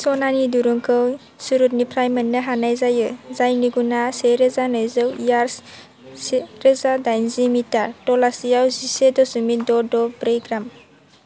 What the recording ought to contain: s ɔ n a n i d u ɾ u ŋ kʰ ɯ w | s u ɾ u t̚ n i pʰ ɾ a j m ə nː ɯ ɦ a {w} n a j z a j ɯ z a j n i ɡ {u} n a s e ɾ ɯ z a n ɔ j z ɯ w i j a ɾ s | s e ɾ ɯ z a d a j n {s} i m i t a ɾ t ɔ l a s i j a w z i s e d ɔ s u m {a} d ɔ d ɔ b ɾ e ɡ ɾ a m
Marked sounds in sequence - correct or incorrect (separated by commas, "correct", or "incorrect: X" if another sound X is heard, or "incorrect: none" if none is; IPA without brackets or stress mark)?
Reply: incorrect: none, correct, incorrect: z, incorrect: i